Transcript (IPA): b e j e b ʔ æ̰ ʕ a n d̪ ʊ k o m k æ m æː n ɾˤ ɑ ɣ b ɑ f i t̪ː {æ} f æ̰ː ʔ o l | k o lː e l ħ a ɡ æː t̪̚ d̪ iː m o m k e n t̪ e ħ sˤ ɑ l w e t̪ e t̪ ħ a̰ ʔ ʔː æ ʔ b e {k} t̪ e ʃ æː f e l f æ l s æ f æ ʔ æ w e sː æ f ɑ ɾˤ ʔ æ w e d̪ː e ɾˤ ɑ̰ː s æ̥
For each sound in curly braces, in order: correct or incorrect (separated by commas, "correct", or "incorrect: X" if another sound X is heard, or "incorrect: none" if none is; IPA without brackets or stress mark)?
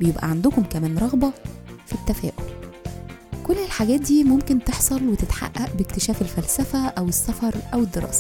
correct, correct